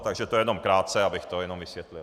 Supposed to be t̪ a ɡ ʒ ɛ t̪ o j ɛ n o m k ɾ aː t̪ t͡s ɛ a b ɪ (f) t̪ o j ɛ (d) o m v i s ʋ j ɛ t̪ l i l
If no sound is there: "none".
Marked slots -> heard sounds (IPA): x, n

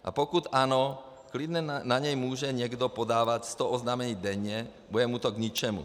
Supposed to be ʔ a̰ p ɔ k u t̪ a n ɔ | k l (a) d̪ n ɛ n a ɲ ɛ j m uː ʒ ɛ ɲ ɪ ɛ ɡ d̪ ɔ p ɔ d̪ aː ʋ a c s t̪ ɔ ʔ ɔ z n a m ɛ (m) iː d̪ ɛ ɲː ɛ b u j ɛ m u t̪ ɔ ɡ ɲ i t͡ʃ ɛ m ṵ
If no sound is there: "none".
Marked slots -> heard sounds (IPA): i, ɲ

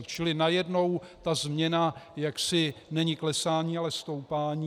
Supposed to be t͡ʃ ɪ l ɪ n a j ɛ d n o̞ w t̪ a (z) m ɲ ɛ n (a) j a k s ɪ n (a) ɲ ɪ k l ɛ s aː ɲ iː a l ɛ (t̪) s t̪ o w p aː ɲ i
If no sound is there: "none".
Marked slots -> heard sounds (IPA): z, a, ɛ, none

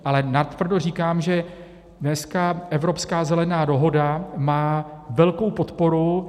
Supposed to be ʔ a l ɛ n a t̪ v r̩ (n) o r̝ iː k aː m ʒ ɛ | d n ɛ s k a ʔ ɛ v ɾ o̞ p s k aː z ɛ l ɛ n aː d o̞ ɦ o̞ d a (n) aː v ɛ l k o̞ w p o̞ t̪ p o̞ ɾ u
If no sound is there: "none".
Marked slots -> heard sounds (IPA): d, m

